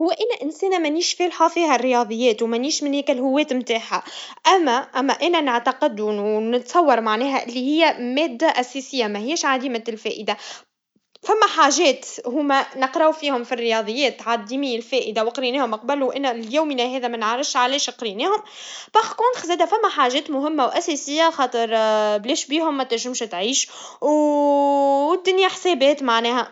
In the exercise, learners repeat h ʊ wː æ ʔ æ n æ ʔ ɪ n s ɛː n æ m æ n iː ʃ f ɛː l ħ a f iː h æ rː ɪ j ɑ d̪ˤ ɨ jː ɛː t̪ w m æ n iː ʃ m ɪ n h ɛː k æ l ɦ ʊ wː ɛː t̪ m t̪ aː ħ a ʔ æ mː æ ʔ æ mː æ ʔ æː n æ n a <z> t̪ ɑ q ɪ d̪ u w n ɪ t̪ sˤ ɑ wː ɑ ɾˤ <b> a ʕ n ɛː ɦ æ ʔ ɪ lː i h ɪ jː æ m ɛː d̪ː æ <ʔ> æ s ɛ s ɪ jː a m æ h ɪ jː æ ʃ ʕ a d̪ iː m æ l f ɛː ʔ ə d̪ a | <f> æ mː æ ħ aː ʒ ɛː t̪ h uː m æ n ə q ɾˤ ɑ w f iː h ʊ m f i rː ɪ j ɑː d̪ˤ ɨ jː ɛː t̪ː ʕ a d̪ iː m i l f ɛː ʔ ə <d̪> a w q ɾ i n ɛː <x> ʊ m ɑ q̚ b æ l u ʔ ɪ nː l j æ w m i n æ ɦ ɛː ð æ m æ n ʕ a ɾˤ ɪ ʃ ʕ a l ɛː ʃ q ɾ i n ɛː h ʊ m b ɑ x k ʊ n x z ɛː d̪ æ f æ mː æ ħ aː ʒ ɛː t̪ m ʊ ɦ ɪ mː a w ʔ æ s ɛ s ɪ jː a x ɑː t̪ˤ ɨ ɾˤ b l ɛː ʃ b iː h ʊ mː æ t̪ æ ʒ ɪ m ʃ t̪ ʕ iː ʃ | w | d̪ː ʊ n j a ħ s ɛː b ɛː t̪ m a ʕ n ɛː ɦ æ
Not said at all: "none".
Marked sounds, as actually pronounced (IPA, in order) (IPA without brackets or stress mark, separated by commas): ʕ, m, ʔ, f, d̪, h